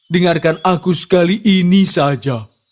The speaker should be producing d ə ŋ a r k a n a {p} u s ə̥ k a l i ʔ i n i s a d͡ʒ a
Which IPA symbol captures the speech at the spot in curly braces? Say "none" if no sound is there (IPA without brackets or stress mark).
k